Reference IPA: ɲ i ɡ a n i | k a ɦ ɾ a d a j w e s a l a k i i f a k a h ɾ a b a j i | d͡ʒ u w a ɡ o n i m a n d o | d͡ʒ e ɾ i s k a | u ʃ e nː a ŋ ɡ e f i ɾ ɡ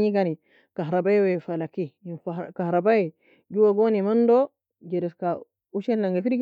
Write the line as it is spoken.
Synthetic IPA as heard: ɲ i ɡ a n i | k a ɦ ɾ a b a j w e f a l a k i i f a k a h ɾ a b a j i | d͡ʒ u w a ɡ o n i m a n d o | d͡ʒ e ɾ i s k a | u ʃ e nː a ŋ ɡ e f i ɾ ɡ